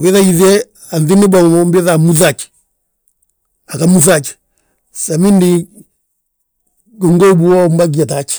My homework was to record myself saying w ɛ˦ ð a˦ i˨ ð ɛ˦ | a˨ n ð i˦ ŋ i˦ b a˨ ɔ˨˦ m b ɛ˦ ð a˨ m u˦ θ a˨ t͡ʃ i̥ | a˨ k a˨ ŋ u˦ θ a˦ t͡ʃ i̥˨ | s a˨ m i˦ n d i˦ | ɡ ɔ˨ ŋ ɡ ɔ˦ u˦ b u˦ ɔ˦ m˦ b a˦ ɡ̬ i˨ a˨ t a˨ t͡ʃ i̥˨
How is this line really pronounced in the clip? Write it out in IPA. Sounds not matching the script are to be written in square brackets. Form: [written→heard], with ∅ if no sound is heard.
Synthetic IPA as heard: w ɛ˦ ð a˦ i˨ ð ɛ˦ | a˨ n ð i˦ [ŋ→n] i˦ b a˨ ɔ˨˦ m b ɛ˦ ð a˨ m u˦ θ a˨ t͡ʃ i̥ | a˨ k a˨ [ŋ→m] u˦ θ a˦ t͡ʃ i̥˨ | s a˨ m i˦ n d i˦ | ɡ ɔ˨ ŋ ɡ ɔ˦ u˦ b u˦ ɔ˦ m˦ b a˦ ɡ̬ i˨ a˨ t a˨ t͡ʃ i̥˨